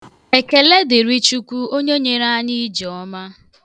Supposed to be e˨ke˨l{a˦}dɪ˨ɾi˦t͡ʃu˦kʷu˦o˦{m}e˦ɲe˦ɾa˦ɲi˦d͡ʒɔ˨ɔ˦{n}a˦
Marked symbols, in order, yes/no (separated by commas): no, no, no